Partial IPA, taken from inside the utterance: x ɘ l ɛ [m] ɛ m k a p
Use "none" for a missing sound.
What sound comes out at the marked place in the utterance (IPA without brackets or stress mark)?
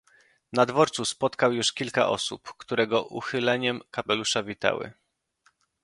ɲ